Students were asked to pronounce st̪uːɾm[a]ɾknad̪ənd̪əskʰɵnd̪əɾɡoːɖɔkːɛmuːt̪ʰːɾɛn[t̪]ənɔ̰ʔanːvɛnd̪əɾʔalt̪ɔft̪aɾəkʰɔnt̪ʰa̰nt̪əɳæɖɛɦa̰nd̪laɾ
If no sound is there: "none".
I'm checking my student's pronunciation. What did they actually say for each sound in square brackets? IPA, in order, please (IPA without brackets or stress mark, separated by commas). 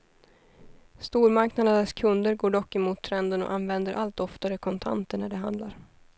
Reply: a, d̪